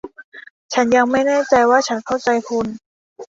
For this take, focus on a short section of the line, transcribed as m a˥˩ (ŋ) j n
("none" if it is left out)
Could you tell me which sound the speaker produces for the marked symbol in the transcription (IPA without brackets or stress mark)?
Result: none